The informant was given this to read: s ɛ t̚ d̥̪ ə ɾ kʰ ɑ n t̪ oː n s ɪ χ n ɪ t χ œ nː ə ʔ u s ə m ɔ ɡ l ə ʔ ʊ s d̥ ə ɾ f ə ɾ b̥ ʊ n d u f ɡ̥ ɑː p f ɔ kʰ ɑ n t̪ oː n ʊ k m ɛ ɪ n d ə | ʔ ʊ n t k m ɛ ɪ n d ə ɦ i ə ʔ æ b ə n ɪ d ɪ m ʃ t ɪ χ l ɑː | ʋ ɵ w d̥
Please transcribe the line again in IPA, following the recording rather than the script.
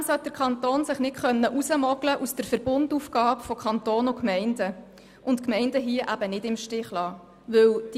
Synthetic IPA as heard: s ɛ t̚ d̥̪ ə ɾ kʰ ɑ n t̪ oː n s ɪ χ n ɪ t χ œ nː ə ʔ u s ə m ɔ ɡ l ə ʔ u s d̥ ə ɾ f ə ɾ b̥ ʊ n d u f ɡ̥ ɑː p f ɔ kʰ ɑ n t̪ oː n ʊ k m ɛ ɪ n d ə | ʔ ʊ n t k m ɛ ɪ n d ə ɦ i ə ʔ æ b ə n ɪ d ɪ m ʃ t ɪ χ l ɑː | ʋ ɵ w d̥